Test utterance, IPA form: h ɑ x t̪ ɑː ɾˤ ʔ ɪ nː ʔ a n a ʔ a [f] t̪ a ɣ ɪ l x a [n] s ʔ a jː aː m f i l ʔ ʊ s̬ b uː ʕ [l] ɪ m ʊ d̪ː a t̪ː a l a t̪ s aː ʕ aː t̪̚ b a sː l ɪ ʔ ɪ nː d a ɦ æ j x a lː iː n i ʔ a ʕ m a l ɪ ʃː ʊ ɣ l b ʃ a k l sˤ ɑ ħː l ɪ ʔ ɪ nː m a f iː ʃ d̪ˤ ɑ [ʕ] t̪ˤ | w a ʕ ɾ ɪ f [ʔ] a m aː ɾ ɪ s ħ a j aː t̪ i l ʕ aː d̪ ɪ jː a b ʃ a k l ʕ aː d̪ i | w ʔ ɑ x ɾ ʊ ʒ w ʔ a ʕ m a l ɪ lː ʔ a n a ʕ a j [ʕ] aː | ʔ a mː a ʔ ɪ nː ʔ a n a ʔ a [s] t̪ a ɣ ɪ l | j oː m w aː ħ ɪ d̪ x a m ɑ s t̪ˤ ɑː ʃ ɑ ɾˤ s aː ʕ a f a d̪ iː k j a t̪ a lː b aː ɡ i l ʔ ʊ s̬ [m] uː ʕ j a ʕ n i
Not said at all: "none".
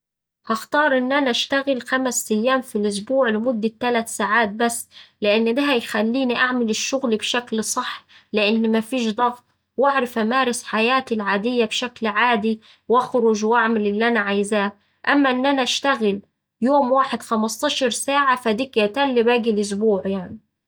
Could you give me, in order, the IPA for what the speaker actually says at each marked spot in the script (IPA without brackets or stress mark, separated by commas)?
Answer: ʃ, m, l, ɣ, ʔ, z, ʃ, b